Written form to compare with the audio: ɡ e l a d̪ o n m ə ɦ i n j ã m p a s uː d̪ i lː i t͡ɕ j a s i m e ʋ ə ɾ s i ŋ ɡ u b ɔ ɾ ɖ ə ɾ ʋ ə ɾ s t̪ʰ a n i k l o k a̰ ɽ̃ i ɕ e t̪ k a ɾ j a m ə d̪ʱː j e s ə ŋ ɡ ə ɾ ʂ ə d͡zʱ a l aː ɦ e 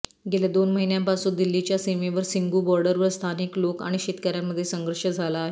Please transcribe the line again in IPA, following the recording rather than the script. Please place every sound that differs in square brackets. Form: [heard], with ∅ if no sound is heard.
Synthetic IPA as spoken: ɡ e l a d̪ o n m ə ɦ i n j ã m p a s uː d̪ i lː i t͡ɕ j a s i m e ʋ ə ɾ s i ŋ ɡ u b ɔ ɾ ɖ ə ɾ ʋ ə ɾ s t̪ʰ a n i k l o k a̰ ɽ̃ i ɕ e t̪ k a ɾ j a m ə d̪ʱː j e s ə ŋ ɡ ə ɾ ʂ ə d͡zʱ a l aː ɦ e